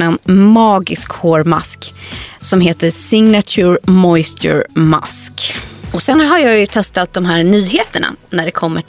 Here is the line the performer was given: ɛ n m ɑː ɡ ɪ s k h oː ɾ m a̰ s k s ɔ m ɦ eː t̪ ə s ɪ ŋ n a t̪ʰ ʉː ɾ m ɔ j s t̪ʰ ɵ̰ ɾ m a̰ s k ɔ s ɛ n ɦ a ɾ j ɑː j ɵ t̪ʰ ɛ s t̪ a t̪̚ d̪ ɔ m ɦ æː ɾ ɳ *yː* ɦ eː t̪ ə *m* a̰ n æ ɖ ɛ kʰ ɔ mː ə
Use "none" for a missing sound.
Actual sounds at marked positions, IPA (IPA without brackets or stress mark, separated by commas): yː, ɳ